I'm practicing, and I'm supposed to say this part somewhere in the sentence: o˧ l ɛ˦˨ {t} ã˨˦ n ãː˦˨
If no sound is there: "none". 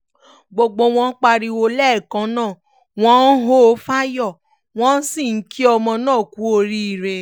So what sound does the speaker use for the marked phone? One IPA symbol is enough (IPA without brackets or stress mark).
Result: k